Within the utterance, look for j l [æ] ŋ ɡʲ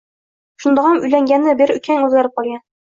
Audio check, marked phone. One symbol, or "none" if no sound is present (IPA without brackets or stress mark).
æ